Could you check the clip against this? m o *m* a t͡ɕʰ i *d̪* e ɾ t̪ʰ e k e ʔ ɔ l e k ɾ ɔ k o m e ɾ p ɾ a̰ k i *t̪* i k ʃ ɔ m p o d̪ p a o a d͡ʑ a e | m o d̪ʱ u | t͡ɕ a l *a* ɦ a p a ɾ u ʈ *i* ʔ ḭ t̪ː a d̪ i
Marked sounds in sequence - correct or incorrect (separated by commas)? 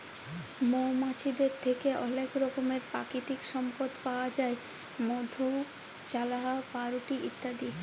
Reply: correct, correct, correct, correct, correct